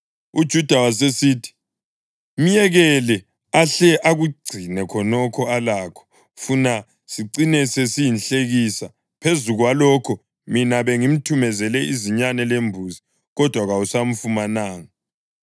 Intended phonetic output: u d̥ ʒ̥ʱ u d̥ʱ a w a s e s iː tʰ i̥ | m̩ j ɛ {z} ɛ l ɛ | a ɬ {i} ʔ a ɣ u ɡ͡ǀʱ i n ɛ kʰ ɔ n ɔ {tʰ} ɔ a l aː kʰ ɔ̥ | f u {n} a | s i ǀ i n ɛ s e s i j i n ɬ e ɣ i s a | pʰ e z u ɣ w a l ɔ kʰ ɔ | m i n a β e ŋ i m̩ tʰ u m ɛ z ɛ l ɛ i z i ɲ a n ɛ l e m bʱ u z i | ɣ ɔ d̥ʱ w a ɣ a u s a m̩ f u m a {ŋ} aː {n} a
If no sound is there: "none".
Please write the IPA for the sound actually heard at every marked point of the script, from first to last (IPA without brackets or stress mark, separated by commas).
ɣ, ɛ, kʰ, n, n, ŋ